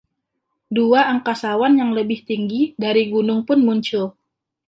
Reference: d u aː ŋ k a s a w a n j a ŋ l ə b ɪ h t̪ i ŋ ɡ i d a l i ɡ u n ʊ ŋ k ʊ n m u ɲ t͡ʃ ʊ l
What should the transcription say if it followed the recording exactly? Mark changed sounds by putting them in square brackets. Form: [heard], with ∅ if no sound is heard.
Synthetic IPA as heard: d u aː ŋ k a s a w a n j a ŋ l ə b ɪ h t̪ i ŋ ɡ i d a [ɾ] i ɡ u n ʊ ŋ [p] ʊ n m u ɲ t͡ʃ ʊ l